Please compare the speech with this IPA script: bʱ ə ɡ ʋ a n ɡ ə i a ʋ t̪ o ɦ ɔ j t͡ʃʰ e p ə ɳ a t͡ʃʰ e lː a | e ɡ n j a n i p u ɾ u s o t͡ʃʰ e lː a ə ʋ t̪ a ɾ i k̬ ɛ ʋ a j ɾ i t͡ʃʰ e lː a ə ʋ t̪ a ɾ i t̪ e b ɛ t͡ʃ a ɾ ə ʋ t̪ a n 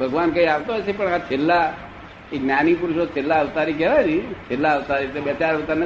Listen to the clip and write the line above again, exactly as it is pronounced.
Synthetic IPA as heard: bʱ ə ɡ ʋ a n k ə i a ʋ t̪ o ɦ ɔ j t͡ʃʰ e p ə ɳ a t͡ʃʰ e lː a | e ɡ n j a n i p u ɾ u ʃ o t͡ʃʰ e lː a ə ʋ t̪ a ɾ i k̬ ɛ ʋ a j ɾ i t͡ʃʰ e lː a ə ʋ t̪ a ɾ i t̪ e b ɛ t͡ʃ a ɾ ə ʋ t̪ a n